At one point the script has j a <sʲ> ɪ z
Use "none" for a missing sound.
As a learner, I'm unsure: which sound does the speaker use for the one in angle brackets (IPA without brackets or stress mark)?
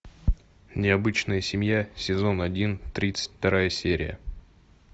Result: sʲ